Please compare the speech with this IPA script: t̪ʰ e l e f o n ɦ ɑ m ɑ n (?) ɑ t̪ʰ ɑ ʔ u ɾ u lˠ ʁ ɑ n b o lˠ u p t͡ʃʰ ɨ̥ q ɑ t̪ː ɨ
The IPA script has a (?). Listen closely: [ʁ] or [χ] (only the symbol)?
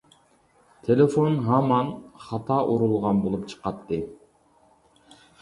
χ